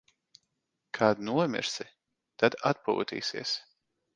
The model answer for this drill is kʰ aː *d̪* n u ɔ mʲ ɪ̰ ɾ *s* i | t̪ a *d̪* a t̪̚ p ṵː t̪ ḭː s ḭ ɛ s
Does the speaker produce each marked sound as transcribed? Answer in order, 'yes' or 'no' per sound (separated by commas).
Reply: yes, yes, yes